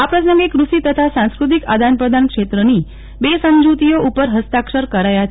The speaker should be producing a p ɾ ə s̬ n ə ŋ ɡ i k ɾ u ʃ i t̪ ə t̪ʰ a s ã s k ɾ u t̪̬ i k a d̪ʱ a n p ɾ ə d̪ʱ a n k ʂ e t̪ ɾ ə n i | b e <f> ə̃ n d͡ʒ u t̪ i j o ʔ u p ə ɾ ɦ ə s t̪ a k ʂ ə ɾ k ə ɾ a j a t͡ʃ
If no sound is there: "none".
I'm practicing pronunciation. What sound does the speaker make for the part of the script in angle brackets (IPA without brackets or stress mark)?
s